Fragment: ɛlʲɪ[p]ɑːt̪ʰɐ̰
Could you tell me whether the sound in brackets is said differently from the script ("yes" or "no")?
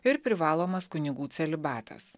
yes